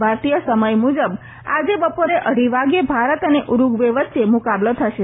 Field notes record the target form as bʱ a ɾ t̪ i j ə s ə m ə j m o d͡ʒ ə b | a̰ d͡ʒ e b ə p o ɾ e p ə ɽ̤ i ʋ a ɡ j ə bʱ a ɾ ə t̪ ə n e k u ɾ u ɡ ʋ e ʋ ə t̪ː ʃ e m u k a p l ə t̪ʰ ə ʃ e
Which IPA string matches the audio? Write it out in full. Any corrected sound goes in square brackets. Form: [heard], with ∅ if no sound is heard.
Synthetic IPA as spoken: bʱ a ɾ t̪ i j ə s ə m ə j m [u] d͡ʒ ə b | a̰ d͡ʒ e b ə p o ɾ e [ʔ] ə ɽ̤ i ʋ a ɡ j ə bʱ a ɾ ə t̪ ə n e [ʔ] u ɾ u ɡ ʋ e ʋ ə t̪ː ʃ e m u k a [b] l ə t̪ʰ ə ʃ e